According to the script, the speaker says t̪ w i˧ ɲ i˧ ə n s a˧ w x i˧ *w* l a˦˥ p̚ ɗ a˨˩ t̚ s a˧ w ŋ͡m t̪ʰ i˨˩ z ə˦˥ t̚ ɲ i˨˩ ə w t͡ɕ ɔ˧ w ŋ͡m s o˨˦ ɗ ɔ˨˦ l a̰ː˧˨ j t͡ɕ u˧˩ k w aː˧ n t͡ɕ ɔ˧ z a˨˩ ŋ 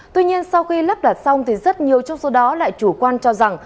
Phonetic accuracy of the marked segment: incorrect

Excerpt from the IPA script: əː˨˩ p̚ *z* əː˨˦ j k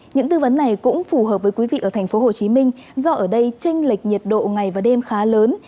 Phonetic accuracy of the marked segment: incorrect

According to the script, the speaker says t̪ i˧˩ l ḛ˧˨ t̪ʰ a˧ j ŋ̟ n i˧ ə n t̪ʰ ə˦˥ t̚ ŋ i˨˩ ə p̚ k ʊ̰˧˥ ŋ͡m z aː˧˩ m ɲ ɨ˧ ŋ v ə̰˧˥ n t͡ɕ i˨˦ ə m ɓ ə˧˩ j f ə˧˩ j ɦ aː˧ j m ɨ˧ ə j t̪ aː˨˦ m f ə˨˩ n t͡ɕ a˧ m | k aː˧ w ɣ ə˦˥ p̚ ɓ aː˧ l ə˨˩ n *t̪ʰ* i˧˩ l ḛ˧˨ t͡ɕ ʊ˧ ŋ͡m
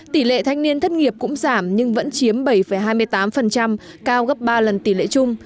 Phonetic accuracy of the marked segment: incorrect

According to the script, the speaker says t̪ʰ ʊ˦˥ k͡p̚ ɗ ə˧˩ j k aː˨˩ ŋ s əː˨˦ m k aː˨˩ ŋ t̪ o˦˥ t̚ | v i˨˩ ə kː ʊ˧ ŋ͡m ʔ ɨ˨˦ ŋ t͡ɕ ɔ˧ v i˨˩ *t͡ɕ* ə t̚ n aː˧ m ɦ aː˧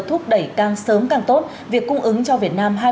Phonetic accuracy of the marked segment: incorrect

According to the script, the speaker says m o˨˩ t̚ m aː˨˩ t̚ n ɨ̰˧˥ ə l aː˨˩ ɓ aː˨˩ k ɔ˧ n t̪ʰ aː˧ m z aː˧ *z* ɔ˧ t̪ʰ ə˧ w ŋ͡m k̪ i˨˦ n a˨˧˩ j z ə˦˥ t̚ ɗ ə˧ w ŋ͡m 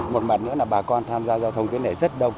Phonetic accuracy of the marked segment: correct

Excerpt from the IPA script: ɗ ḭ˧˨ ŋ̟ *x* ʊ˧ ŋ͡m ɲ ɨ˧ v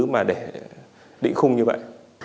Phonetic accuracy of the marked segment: correct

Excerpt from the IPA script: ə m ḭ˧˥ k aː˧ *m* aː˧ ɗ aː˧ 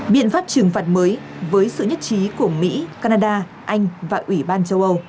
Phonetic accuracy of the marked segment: incorrect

